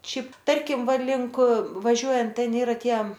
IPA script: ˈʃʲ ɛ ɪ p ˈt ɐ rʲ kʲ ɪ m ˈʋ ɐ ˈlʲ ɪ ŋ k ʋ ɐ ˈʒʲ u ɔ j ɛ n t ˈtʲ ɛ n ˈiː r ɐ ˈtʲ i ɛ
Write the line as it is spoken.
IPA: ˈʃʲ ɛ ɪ p ˈt ɐ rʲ kʲ ɪ m ˈʋ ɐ ˈlʲ ɪ ŋ k ʋ ɐ ˈʒʲ u ɔ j ɛ n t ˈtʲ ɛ n ˈiː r ɐ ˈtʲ i ɛ